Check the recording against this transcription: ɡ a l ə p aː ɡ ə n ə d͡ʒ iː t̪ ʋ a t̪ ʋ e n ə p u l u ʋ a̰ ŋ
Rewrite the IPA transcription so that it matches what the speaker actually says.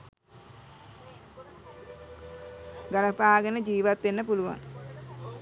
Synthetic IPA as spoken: ɡ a l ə p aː ɡ ə n ə d͡ʒ iː ʋ a t̪ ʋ e nː ə p u l u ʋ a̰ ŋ